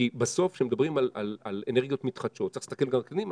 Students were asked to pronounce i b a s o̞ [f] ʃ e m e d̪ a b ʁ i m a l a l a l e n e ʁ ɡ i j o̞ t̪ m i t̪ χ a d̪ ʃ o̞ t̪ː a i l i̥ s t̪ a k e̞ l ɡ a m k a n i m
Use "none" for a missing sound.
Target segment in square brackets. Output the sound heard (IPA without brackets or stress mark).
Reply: f